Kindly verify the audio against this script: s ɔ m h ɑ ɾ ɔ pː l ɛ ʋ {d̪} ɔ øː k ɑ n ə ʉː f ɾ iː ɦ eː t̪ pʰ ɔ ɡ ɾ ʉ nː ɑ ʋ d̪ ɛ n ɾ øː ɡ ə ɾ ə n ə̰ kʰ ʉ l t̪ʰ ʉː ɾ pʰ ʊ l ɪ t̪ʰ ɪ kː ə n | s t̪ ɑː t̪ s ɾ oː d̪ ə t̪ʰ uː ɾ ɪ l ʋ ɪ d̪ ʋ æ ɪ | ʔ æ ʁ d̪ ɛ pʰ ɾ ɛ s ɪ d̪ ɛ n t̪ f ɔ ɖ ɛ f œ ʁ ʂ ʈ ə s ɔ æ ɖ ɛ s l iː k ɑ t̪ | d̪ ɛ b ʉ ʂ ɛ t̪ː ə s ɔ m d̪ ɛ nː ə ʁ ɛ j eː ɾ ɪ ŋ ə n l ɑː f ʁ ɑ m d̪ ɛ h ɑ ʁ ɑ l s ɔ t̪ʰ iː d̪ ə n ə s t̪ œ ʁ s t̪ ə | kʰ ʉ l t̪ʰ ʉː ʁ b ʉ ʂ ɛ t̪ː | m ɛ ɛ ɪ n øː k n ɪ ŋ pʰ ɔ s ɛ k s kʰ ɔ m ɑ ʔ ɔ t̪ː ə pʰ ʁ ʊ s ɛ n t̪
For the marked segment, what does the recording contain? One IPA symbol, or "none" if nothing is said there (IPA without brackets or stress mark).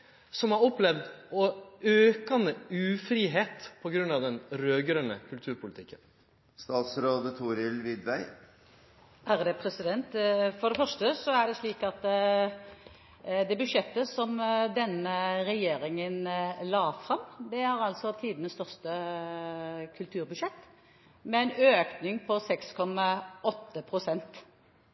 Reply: d̪